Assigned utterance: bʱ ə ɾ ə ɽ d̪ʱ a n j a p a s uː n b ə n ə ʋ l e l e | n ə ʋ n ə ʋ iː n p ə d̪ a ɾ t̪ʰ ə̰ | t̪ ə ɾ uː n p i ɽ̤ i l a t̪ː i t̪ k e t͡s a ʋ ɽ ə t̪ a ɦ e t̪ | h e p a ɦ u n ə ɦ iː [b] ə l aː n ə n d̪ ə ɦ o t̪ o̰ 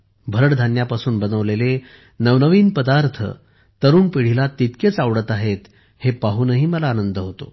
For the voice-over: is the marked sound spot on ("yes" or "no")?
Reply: no